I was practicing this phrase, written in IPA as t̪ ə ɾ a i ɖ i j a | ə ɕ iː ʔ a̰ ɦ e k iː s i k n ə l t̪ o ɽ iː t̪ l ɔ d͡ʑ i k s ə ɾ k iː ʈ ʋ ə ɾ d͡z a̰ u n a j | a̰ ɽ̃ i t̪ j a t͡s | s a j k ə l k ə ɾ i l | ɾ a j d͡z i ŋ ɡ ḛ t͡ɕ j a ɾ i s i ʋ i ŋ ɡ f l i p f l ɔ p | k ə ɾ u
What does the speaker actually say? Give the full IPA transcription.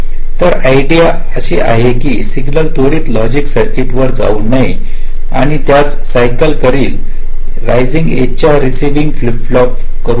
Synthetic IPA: t̪ ə ɾ a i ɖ i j a | ə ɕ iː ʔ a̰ ɦ e k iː s i ɡ n ə l t̪ o ɽ iː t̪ l ɔ d͡ʑ i k s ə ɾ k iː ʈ ʋ ə ɾ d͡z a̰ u n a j | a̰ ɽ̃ i t̪ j a t͡s | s a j k ə l k ə ɾ iː l | ɾ a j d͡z i ŋ ɡ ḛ t͡ɕ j a ɾ i s i ʋ i ŋ ɡ f l i p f l ɔ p | k ə ɾ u